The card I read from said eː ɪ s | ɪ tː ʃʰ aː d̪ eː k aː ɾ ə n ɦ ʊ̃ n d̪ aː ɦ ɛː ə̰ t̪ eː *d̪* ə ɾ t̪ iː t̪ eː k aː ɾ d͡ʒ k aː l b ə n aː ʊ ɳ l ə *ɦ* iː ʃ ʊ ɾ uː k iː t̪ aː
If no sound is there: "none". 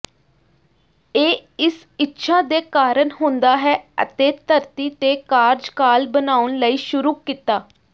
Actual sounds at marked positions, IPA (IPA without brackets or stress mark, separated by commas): t̪, none